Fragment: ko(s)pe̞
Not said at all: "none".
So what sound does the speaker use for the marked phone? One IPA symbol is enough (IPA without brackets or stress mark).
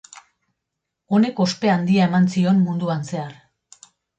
s